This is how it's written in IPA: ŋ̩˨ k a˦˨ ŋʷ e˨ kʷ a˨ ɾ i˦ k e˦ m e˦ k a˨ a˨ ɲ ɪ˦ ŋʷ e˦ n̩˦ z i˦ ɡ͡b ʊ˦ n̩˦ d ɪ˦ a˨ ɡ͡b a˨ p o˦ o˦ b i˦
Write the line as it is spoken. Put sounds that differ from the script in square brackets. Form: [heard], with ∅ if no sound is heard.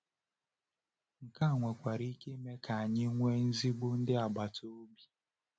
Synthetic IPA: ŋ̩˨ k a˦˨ ŋʷ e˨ kʷ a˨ ɾ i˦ k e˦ m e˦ k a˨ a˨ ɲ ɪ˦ ŋʷ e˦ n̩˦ z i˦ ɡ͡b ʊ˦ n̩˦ d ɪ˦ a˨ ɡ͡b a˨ [t] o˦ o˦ b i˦